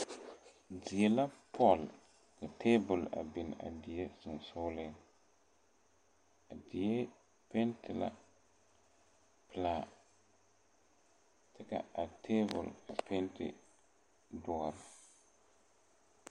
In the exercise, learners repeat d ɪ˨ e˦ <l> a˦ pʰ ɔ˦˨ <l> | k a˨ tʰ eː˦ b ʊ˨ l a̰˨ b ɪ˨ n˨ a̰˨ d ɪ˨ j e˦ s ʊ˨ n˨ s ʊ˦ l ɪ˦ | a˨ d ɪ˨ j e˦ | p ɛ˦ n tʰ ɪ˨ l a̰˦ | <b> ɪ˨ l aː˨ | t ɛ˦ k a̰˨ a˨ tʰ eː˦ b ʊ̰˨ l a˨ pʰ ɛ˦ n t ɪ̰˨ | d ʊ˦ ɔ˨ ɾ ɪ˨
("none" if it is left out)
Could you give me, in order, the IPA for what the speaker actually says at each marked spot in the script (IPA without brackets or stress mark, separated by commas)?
l, l, p